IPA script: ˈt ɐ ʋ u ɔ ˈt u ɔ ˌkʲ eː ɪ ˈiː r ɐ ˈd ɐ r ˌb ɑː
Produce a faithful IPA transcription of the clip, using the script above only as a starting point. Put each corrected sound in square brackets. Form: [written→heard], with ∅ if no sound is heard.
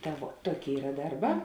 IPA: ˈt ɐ ʋ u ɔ ˈt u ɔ ˌkʲ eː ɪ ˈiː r ɐ ˈd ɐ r ˌb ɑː

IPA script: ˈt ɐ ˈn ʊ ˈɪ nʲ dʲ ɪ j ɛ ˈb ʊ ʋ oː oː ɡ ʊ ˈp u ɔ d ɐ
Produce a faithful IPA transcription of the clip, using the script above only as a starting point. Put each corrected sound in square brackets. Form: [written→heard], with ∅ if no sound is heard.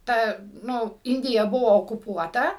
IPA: ˈt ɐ ˈn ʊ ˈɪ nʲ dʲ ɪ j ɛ ˈb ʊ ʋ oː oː [ɡ→k] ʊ ˈp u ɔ [d→t] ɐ

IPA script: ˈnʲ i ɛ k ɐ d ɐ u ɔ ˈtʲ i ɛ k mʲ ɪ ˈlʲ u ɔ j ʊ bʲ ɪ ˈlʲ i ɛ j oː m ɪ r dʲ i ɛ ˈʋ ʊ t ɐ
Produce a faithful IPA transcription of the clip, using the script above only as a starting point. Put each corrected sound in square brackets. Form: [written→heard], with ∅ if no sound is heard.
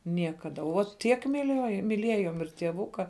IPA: ˈnʲ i ɛ k ɐ d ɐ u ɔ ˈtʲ i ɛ k mʲ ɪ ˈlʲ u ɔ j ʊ [bʲ→mʲ] ɪ ˈlʲ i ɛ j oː m ɪ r [dʲ→tʲ] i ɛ ˈʋ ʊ [t→k] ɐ

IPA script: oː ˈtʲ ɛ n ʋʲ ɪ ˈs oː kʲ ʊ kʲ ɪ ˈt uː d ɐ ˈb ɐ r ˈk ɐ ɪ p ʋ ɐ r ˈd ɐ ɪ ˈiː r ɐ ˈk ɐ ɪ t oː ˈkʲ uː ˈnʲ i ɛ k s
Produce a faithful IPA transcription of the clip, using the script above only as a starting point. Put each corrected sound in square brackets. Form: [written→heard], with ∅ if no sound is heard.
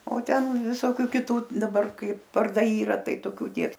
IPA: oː ˈtʲ ɛ n ʋʲ ɪ ˈs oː kʲ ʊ kʲ ɪ ˈt uː d ɐ ˈb ɐ r ˈk ɐ ɪ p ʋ ɐ r ˈd ɐ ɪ ˈiː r ɐ [ˈk→ˈt] ɐ ɪ t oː ˈkʲ uː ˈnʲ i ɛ k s

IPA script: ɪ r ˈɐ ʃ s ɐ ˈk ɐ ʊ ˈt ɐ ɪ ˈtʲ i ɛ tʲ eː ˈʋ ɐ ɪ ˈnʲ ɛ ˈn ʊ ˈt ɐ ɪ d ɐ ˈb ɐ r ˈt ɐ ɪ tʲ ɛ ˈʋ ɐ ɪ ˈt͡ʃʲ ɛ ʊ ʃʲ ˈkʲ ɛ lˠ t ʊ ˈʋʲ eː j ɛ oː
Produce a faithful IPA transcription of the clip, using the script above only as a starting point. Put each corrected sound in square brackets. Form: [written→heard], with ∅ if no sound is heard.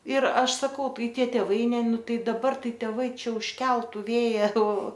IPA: ɪ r ˈɐ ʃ s ɐ ˈk ɐ ʊ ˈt ɐ ɪ ˈtʲ i ɛ tʲ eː ˈʋ ɐ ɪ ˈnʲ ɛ ˈn ʊ ˈt ɐ ɪ d ɐ ˈb ɐ r ˈt ɐ ɪ tʲ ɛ ˈʋ ɐ ɪ ˈt͡ʃʲ ɛ ʊ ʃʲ ˈkʲ ɛ lˠ t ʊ ˈʋʲ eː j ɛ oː

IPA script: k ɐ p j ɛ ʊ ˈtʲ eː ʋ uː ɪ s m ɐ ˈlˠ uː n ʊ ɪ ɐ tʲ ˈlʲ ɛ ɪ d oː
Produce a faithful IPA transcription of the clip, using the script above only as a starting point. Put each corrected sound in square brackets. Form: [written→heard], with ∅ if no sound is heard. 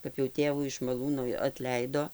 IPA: k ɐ p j ɛ ʊ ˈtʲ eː ʋ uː ɪ [s→ʃ] m ɐ ˈlˠ uː n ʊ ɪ ɐ tʲ ˈlʲ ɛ ɪ d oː

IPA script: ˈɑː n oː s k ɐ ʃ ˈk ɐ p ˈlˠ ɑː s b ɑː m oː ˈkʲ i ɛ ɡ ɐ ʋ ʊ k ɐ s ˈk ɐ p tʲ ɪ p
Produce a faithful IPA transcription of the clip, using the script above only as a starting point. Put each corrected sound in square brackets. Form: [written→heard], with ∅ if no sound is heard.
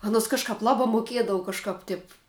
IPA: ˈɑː n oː s k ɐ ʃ ˈk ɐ p ˈlˠ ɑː [s→∅] b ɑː m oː ˈkʲ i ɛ [ɡ→d] ɐ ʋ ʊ k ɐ [s→ʃ] ˈk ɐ p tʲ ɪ p

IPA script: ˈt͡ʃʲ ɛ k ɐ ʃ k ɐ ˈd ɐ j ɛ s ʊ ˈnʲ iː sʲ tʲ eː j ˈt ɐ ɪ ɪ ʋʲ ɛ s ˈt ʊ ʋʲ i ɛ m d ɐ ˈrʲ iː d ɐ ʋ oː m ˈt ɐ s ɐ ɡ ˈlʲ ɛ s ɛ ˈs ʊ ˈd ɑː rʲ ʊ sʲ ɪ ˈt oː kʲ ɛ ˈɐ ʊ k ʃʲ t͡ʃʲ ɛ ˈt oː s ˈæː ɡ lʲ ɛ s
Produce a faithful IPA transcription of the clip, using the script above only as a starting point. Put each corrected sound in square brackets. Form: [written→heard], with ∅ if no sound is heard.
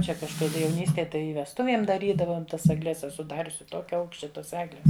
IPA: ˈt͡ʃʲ ɛ k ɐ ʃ k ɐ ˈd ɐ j ɛ [s→∅] ʊ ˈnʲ iː sʲ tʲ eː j ˈt ɐ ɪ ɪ ʋʲ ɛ s ˈt ʊ ʋʲ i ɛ m d ɐ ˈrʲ iː d ɐ ʋ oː m ˈt ɐ s ɐ ɡ ˈlʲ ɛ s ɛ ˈs ʊ ˈd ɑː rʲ ʊ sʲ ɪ ˈt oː kʲ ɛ ˈɐ ʊ k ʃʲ t͡ʃʲ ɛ ˈt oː s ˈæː ɡ lʲ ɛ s

